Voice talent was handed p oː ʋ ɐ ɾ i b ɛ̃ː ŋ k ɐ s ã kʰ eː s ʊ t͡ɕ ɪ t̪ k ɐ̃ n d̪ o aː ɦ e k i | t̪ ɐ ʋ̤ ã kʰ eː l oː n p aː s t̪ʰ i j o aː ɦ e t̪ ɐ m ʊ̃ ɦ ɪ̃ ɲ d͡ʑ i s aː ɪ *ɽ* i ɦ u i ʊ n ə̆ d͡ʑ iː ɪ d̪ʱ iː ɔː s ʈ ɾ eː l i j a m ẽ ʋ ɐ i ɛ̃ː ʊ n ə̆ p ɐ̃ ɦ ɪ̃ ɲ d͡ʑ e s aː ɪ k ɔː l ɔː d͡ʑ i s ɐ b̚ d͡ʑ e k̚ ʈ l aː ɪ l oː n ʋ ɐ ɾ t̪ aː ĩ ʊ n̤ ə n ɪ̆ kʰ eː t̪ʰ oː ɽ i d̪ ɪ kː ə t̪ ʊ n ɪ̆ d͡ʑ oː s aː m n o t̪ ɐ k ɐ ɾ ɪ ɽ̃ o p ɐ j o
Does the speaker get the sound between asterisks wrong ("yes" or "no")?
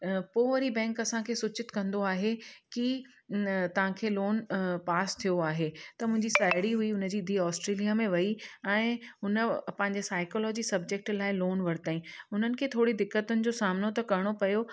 no